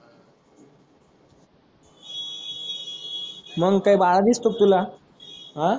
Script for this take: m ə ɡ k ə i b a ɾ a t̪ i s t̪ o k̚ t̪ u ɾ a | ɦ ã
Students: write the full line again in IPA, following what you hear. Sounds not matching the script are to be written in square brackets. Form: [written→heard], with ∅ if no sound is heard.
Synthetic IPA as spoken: m ə ɡ k [ə→a] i b a [ɾ→ɭ] a [t̪→d̪] i s t̪ o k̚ t̪ u [ɾ→l] a | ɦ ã

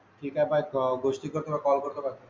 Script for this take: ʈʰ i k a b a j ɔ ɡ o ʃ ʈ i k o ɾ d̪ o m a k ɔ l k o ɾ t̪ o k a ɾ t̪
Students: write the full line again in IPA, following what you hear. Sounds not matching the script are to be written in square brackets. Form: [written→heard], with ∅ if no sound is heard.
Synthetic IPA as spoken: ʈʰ i k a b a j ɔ ɡ o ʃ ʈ i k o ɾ [d̪→t̪] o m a k ɔ l k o ɾ t̪ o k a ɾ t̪

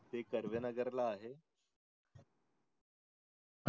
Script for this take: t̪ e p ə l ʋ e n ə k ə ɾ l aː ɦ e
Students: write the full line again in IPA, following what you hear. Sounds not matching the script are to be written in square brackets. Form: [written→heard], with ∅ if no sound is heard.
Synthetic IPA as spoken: t̪ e [p→k] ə [l→ɾ] ʋ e n ə [k→ɡ] ə ɾ l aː ɦ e

